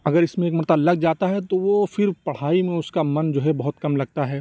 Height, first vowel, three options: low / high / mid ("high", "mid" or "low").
low